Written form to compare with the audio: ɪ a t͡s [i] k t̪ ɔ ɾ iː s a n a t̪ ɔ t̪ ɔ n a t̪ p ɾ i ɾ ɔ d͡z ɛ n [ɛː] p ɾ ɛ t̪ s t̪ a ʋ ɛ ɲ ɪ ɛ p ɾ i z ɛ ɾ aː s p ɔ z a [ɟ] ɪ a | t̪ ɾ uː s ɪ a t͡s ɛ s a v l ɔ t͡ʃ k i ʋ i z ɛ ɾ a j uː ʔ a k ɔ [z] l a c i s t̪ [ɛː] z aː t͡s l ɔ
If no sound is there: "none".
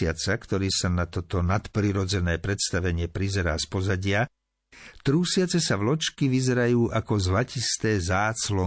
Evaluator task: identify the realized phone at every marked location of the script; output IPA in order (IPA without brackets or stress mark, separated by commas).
a, ɛː, ɟ, z, ɛː